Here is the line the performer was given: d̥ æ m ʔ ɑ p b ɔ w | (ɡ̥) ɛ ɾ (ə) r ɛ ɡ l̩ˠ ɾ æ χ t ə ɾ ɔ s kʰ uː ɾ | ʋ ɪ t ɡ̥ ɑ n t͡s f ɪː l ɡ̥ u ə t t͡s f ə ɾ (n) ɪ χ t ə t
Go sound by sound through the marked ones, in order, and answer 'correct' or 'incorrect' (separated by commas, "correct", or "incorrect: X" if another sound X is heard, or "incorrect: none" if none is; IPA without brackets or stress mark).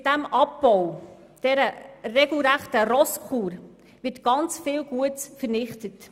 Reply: incorrect: d̥, correct, correct